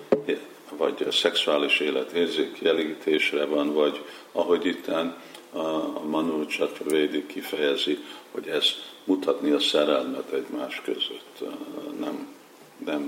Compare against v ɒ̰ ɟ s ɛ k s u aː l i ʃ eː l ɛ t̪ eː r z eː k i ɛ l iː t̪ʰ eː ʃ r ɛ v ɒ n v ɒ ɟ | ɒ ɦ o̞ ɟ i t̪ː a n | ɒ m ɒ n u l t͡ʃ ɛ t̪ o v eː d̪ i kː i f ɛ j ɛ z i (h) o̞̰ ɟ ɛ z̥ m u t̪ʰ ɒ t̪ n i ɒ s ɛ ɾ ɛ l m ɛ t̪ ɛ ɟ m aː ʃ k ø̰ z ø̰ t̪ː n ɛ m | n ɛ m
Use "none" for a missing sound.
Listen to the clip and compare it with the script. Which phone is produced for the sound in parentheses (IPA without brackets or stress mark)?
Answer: h